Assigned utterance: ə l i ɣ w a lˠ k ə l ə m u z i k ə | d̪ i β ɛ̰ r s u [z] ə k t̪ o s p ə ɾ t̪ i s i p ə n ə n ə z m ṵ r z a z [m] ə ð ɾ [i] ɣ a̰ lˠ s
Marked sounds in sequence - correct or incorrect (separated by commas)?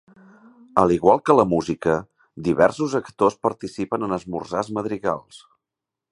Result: correct, correct, correct